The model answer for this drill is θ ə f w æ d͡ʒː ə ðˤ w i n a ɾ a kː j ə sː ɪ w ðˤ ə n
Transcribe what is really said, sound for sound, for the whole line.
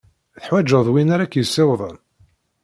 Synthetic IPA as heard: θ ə ħ w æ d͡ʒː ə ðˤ w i n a ɾ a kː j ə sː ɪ w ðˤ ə n